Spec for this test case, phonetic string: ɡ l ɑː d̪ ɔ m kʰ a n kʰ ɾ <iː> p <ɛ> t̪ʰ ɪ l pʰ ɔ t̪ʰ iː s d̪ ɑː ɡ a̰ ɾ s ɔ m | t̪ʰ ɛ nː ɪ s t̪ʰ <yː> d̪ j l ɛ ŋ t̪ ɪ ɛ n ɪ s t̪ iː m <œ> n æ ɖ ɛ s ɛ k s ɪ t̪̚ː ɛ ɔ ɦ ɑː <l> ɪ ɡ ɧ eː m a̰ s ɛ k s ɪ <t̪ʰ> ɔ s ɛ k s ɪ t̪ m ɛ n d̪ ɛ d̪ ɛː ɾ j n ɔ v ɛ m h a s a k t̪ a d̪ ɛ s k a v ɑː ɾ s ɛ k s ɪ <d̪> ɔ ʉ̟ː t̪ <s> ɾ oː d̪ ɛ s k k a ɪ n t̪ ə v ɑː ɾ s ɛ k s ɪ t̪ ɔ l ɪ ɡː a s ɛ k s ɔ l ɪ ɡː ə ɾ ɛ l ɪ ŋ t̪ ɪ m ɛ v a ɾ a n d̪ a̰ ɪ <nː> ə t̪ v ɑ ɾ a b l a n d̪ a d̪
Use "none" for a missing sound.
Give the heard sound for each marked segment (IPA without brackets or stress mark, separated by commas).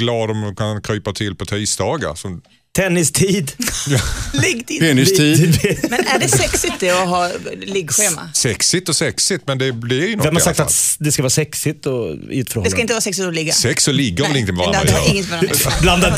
yː, a, iː, ɛ, l, t̪, t̪, f, ŋː